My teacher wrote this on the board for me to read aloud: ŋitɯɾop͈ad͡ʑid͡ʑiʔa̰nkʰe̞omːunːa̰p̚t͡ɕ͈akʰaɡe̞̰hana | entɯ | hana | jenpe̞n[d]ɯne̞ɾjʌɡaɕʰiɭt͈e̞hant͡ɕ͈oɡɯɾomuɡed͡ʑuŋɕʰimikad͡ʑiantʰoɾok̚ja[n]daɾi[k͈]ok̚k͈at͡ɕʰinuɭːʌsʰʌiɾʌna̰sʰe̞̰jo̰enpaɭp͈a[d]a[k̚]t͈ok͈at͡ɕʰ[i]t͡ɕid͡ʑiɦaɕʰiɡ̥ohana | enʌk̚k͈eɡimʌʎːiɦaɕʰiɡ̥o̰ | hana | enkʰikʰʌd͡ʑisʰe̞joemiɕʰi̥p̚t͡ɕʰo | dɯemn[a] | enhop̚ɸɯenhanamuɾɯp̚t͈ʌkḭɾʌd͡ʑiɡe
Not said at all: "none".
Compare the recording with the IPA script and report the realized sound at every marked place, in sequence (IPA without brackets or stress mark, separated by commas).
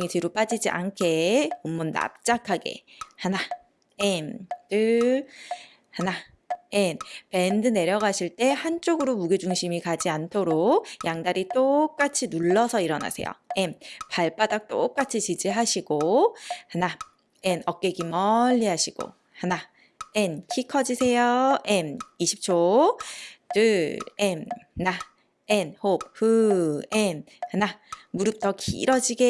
d, ŋ, t͈, d, k̚, i, a